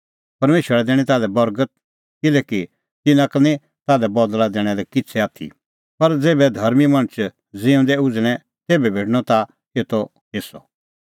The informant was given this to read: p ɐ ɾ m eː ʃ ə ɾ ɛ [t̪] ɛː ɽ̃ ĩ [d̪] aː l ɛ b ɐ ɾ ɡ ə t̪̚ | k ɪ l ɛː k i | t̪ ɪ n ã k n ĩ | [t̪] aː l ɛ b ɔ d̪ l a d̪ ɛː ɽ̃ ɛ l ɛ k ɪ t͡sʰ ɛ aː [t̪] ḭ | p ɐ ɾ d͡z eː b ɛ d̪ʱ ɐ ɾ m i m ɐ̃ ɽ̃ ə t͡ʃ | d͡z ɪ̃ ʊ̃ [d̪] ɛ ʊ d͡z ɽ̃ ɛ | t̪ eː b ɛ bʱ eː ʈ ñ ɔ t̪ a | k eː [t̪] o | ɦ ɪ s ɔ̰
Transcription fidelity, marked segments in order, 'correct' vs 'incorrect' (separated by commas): incorrect, incorrect, correct, incorrect, correct, correct